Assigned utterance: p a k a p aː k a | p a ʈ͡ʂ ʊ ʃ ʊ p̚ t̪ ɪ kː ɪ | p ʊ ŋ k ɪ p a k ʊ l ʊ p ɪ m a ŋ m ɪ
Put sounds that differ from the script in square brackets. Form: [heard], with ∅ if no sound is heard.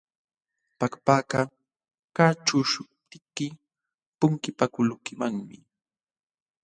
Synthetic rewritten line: p a k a p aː k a | [k] a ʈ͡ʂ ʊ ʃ ʊ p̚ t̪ ɪ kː ɪ | p ʊ ŋ k ɪ p a k ʊ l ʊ [k] ɪ m a ŋ m ɪ